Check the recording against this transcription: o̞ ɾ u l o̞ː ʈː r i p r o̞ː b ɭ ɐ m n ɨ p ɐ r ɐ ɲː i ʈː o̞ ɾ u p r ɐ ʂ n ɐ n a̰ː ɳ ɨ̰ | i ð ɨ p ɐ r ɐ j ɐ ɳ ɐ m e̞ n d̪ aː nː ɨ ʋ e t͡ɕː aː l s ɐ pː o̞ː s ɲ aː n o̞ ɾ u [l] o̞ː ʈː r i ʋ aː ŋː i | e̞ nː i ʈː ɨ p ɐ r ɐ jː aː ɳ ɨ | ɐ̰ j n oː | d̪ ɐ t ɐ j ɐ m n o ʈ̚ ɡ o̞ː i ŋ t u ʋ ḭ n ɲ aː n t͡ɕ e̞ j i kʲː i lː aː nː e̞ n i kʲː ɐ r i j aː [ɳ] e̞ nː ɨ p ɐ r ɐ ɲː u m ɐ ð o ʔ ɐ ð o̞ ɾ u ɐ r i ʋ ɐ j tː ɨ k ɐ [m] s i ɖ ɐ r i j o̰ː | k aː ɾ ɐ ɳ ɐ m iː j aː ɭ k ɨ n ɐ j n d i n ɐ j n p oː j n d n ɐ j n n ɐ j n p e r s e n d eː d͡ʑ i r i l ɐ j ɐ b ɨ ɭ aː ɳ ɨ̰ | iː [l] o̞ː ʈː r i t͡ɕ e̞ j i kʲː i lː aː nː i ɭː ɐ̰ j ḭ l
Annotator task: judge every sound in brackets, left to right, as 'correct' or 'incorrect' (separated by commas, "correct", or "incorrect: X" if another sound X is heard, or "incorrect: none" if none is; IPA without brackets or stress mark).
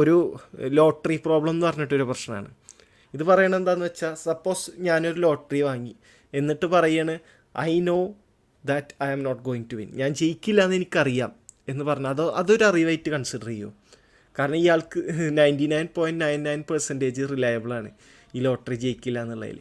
correct, incorrect: m, incorrect: ɳ, correct